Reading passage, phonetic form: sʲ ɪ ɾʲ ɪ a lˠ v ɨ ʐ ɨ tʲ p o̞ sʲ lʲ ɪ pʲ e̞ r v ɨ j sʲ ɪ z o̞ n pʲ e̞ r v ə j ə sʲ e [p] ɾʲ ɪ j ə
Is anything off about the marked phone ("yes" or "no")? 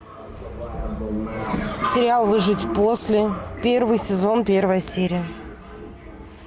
yes